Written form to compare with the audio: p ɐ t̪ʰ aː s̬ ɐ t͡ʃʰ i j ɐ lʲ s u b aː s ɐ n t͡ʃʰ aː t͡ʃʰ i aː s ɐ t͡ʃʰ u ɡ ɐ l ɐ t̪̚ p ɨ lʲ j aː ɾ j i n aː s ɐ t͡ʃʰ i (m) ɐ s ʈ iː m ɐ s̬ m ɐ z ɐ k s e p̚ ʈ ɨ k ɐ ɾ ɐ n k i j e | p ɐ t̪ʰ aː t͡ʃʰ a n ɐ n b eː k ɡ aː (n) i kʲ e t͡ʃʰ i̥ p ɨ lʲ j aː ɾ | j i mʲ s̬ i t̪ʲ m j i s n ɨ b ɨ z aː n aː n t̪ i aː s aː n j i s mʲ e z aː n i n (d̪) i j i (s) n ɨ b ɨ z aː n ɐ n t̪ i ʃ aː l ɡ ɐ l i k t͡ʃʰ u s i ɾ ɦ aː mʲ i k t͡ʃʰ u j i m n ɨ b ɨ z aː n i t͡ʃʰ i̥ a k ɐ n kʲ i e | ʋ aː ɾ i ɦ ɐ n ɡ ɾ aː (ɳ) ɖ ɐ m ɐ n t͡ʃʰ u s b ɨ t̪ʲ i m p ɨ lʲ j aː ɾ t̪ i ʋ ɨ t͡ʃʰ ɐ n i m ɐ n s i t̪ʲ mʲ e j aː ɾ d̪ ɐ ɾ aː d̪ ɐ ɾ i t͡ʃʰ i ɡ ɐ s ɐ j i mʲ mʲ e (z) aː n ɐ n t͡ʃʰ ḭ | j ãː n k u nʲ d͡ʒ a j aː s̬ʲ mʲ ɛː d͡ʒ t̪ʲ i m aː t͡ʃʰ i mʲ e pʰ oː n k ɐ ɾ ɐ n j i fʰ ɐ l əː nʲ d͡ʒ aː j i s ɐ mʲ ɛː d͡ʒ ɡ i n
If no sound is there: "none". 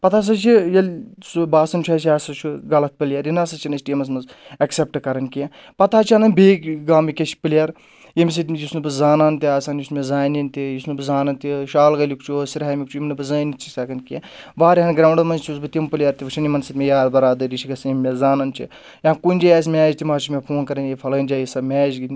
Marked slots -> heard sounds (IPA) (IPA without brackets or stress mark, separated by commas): n, m, t̪, s, ɳ, z